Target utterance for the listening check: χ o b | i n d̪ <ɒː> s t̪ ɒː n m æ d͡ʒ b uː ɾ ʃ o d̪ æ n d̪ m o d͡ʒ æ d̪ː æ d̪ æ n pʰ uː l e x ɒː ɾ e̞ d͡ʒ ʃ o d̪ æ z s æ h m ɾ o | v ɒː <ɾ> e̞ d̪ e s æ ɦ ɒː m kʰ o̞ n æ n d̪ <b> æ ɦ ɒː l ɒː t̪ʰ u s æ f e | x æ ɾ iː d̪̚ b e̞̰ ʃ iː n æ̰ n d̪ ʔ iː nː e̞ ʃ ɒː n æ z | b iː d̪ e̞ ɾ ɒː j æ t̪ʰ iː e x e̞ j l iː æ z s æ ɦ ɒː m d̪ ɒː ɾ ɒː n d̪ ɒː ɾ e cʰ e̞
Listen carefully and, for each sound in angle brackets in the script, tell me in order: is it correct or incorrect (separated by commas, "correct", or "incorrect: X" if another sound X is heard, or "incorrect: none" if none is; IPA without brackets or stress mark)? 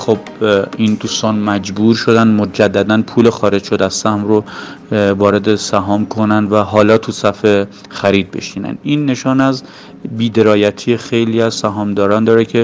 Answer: incorrect: uː, correct, incorrect: v